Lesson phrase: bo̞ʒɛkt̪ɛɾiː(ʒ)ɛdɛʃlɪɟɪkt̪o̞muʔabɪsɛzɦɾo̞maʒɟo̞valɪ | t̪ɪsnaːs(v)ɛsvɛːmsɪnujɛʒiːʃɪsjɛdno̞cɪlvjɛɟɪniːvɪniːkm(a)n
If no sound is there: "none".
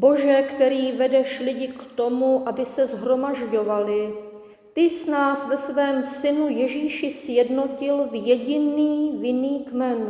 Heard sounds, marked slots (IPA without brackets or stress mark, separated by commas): v, v, ɛ